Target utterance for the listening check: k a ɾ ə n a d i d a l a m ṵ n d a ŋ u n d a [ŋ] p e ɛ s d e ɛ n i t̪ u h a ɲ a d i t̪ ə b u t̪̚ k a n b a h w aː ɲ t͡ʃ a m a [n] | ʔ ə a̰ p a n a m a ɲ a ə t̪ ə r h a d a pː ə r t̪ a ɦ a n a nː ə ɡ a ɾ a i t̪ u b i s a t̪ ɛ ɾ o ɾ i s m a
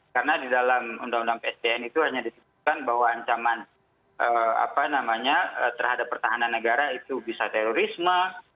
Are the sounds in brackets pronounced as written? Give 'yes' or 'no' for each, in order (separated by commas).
yes, yes